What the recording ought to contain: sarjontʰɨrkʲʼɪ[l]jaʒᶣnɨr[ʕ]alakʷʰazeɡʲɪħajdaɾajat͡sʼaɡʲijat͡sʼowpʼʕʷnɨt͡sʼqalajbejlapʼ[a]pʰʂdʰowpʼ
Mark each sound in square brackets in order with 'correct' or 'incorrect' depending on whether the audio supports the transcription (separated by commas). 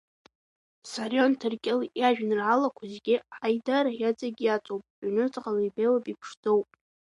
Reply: correct, correct, incorrect